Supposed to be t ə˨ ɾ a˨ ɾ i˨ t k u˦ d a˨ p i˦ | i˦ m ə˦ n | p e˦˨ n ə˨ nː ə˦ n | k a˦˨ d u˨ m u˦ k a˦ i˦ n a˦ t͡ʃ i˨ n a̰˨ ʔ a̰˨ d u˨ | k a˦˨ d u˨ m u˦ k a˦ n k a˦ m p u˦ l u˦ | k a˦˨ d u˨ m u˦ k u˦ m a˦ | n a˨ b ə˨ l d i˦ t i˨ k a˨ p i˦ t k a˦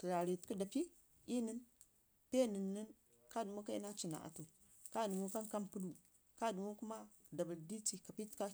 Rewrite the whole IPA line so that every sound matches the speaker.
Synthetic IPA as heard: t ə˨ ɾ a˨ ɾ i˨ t k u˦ d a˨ p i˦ | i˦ n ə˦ n | p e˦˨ n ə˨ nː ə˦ n | k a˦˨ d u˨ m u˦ k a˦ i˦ n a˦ t͡ʃ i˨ n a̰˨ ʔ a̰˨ t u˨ | k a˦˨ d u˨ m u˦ k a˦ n k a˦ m p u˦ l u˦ | k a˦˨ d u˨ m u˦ k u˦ m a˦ | d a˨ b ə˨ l d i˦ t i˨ k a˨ p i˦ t k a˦